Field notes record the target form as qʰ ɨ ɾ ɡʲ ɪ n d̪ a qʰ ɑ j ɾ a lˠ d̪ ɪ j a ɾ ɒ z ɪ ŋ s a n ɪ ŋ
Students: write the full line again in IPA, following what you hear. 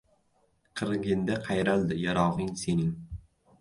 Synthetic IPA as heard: qʰ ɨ ɾ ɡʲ ɪ n d̪ a qʰ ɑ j ɾ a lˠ d̪ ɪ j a ɾ ɒ ʁ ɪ ŋ s e n ɪ ŋ